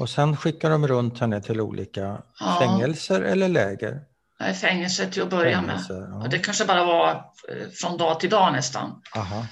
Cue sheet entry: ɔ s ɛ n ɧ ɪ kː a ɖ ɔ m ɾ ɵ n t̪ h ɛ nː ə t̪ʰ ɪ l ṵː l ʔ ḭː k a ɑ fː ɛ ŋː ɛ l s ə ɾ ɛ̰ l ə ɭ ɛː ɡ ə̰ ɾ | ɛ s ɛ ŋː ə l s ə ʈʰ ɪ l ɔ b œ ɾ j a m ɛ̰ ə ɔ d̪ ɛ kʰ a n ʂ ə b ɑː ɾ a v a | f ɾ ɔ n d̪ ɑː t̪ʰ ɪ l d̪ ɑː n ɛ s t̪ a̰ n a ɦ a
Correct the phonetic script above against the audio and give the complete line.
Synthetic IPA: ɔ s ɛ n ɧ ɪ kː a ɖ ɔ m ɾ ɵ n t̪ h ɛ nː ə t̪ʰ ɪ l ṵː l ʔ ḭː k a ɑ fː ɛ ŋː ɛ l s ə ɾ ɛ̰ lː ə ɭ ɛː ɡ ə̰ ɾ | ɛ f ɛ ŋː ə l s ə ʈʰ ɪ l ɔ b œ ɾ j a m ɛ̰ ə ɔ d̪ ɛ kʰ a n ʂ ə b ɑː ɾ a v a | f ɾ ɔ n d̪ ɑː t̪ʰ ɪ l d̪ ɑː n ɛ s t̪ a̰ n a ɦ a